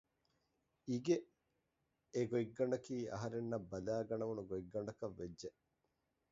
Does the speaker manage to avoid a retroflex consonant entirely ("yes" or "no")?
no